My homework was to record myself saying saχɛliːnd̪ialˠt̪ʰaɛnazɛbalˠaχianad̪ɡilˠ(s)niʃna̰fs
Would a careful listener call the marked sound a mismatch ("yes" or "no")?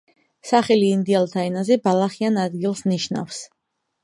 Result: no